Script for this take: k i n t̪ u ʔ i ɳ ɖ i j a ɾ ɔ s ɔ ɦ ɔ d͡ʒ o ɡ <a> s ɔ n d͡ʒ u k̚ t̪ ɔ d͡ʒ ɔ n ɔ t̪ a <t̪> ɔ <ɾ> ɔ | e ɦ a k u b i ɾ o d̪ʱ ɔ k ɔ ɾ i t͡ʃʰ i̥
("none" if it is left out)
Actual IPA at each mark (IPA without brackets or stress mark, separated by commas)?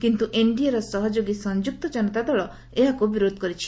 i, d̪, ɭ